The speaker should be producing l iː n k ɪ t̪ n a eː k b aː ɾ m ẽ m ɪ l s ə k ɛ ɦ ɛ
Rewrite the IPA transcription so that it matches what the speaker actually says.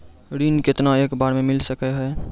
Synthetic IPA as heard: ɾ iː n k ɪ t̪ n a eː k b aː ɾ m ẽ m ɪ l s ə k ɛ ɦ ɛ